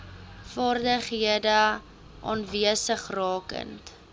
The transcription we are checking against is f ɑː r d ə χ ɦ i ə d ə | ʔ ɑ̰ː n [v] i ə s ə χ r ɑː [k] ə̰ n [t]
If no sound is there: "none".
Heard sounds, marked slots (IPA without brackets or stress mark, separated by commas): v, k, t